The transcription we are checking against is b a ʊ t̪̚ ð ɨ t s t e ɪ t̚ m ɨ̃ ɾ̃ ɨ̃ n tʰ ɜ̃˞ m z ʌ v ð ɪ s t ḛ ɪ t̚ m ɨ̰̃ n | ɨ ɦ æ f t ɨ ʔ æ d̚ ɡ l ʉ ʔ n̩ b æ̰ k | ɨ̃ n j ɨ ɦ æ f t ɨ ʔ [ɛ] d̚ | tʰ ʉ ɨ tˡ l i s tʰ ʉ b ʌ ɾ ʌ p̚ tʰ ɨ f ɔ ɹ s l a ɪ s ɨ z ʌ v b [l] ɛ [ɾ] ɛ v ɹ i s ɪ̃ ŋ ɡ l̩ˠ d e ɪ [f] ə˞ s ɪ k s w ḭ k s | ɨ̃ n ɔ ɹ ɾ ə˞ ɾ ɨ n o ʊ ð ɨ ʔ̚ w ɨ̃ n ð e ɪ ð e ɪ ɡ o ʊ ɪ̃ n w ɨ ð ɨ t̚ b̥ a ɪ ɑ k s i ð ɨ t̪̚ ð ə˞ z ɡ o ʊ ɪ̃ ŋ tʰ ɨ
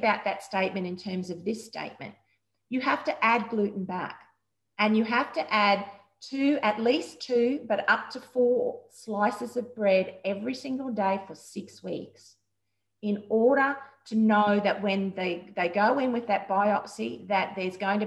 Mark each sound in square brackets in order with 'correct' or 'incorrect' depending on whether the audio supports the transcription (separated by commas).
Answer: incorrect, incorrect, correct, correct